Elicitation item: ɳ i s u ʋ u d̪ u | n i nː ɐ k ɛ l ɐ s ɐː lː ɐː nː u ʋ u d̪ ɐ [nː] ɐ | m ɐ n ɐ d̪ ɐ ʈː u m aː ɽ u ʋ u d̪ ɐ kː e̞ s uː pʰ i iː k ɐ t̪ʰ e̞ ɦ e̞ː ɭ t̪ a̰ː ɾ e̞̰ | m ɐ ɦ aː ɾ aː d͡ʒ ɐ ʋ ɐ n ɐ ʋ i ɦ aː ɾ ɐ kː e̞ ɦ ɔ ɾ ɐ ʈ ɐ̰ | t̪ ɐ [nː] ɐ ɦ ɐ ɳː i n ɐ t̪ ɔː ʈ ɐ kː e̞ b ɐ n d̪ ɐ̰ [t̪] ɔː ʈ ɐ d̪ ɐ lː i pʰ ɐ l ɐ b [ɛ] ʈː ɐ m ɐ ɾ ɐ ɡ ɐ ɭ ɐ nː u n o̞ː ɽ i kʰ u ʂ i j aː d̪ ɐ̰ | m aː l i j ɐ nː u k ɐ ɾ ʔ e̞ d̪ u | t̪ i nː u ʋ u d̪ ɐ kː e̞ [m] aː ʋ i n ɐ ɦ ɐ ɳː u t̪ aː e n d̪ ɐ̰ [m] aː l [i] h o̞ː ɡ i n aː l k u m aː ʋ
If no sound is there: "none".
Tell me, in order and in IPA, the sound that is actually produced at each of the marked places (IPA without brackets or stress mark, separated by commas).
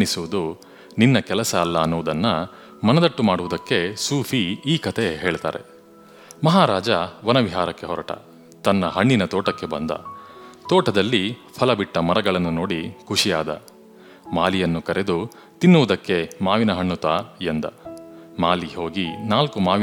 nː, nː, t̪, i, m, m, i